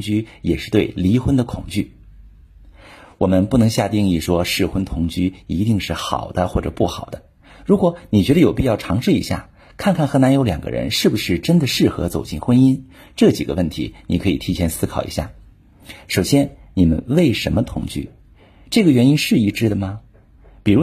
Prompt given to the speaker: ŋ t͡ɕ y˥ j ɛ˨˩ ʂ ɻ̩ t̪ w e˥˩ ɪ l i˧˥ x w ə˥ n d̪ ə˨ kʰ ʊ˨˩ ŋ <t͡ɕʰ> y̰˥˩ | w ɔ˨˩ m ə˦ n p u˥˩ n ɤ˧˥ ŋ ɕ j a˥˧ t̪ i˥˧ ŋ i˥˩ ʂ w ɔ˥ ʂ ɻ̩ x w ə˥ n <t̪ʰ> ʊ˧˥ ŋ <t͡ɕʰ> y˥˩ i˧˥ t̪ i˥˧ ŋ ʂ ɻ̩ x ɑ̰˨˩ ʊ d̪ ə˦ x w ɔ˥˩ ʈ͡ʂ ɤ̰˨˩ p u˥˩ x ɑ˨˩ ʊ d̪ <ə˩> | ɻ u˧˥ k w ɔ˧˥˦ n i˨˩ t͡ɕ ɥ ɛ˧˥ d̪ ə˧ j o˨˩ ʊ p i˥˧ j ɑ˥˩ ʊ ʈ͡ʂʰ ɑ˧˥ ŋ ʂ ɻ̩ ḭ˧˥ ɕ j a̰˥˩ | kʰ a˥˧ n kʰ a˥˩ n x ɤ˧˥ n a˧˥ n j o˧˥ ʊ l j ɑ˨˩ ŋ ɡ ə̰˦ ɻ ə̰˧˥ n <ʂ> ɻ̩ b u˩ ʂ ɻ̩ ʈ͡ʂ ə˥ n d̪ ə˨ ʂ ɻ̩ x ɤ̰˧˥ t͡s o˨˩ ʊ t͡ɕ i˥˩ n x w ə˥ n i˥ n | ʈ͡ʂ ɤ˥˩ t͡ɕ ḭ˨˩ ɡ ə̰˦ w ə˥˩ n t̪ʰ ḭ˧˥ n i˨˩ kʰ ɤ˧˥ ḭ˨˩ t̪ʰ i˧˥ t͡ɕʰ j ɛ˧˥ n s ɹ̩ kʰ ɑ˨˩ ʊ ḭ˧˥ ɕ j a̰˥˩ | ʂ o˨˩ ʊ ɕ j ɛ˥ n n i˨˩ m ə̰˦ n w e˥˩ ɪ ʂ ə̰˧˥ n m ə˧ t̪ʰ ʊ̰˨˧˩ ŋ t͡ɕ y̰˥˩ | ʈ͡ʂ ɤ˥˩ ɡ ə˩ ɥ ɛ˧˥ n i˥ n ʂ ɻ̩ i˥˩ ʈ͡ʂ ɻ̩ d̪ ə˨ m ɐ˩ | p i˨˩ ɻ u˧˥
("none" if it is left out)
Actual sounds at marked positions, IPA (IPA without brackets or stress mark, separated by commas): t͡ɕ, t̪ʰ, t͡ɕ, ə˦, ʂ